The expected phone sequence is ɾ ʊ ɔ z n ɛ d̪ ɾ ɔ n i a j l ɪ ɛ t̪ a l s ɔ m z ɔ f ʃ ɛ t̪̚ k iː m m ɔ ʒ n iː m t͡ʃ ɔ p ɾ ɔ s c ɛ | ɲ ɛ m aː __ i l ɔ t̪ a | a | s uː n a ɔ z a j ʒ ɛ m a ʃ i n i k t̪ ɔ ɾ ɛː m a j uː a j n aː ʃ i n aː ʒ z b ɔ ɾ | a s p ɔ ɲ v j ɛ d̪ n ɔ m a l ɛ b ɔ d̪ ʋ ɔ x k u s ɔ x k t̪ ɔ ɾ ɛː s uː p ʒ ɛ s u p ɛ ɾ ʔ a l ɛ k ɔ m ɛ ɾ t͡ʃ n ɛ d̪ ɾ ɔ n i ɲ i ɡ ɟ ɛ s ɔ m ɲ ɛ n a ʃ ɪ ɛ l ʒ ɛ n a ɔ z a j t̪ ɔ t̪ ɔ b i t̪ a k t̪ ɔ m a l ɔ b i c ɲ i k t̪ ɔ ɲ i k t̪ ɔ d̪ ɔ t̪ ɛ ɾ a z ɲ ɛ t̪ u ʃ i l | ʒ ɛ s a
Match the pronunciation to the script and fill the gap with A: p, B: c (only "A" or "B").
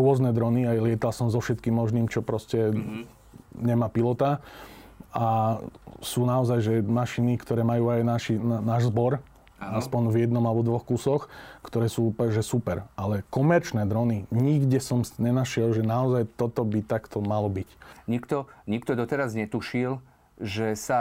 A